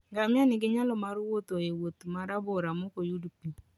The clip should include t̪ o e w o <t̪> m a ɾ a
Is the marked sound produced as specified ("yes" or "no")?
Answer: yes